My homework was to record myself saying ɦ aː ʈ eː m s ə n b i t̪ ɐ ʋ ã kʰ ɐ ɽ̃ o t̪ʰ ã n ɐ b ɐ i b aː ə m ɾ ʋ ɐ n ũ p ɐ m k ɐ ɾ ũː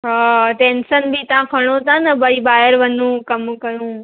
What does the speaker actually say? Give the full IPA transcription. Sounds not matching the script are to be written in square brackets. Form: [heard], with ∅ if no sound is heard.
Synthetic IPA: ɦ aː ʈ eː [n] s ə n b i t̪ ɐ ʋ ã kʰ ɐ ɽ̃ o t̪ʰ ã n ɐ b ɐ i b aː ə [∅] ɾ ʋ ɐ n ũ [k] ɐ m k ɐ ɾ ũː